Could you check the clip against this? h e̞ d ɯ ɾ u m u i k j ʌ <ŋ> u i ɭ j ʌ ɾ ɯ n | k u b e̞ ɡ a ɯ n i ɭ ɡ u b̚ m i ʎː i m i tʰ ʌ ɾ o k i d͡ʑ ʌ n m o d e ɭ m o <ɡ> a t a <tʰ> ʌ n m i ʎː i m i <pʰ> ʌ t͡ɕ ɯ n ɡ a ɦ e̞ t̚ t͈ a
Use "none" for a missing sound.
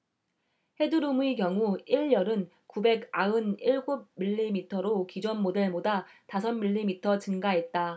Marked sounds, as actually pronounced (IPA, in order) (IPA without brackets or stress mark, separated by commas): ŋ, d, sʰ, tʰ